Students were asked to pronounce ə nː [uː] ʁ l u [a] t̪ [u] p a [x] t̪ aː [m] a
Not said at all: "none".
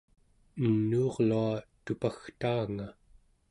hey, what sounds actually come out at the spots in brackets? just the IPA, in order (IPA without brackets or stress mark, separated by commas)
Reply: uː, a, u, x, ŋ